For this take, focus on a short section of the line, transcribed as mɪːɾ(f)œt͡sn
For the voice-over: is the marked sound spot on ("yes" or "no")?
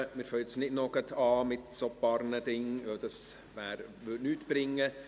yes